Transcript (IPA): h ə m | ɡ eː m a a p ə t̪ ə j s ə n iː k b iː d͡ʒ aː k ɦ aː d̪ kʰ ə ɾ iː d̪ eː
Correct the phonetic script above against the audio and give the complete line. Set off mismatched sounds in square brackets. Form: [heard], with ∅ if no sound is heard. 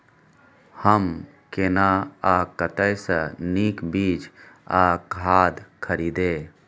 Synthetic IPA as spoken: h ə m | [k] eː [n] a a [k] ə t̪ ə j s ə n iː k b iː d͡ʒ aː k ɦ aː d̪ kʰ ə ɾ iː d̪ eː